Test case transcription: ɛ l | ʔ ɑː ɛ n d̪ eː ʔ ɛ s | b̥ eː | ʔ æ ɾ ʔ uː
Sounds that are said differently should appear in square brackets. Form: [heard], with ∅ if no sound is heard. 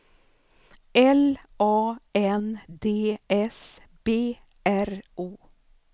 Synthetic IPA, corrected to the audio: ɛ l | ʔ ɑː ɛ n d̪ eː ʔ ɛ s | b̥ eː | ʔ æ ɾ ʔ uː